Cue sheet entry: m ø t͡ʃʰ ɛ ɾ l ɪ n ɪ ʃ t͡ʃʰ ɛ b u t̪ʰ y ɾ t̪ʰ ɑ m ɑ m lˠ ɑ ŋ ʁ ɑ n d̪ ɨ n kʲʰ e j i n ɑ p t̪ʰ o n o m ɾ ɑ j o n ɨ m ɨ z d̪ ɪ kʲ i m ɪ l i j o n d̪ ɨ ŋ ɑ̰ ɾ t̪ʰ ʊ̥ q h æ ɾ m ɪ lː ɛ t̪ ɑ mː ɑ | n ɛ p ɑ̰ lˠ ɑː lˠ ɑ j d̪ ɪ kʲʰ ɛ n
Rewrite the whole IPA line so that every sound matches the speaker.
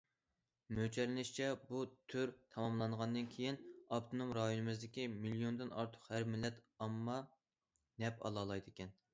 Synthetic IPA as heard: m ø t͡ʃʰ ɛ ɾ l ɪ n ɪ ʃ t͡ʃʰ ɛ b u t̪ʰ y ɾ t̪ʰ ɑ m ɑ m lˠ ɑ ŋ ʁ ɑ n d̪ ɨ n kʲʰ e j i n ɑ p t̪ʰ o n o m ɾ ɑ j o n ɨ m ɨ z d̪ ɪ kʲ i m i l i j o n d̪ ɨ n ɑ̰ ɾ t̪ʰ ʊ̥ q h æ ɾ m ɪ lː ɛ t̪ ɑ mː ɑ | n ɛ p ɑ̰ lˠ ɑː lˠ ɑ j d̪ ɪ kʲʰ ɛ n